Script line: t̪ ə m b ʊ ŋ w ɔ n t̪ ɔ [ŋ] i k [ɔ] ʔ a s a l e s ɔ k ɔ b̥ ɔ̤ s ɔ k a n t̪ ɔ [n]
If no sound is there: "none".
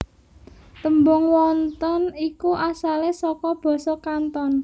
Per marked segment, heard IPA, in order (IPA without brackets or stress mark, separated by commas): n, u, n